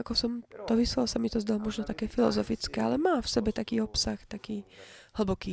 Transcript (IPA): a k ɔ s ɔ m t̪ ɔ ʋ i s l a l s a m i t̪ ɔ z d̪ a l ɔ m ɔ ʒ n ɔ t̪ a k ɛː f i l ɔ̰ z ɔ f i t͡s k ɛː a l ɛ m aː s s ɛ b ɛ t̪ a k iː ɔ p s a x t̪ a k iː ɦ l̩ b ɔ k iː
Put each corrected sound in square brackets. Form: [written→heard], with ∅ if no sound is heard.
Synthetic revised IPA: a k ɔ s ɔ m t̪ ɔ ʋ i s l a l s a m i t̪ ɔ z d̪ a l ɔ m ɔ ʒ n ɔ t̪ a k ɛː f i l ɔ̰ z ɔ f i t͡s k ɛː a l ɛ m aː [s→f] s ɛ b ɛ t̪ a k iː ɔ p s a x t̪ a k iː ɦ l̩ b ɔ k iː